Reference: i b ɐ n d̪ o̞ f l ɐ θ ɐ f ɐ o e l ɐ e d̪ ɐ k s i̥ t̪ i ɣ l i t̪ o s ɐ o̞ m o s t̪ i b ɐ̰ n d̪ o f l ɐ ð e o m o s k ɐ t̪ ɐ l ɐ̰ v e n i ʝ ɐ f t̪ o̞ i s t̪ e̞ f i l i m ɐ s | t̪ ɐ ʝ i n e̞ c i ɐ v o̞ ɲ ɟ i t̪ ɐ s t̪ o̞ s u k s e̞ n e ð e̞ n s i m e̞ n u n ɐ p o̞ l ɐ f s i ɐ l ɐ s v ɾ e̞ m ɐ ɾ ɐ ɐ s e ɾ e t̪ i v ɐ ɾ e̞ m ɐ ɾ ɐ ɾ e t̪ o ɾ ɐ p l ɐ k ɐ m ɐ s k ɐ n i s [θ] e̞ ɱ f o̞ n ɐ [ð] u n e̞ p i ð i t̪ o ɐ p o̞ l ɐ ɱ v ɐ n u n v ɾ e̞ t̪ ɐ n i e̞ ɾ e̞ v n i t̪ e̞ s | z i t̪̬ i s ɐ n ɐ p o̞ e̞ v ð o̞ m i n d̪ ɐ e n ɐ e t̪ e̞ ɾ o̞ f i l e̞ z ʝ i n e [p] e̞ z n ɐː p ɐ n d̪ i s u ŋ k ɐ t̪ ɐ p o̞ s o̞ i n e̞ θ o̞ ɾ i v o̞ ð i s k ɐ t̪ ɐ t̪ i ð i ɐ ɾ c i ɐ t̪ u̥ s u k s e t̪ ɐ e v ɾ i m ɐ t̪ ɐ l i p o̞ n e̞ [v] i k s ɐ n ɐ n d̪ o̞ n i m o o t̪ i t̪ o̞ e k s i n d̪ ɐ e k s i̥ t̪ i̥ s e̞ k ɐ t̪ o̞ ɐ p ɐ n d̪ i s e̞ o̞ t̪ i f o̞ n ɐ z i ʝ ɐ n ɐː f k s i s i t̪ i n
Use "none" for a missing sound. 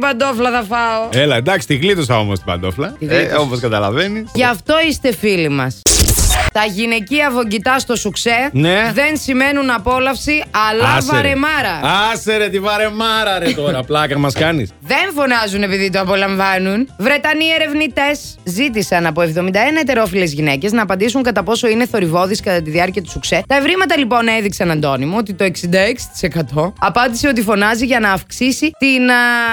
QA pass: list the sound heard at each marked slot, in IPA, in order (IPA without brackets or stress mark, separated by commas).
ð, z, c, ð